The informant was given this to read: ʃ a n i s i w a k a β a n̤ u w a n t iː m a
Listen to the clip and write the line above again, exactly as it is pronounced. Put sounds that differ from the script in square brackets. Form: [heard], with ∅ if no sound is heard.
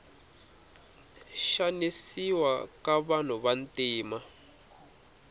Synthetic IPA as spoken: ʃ a n i s i w a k a β a n̤ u [β] a n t iː m a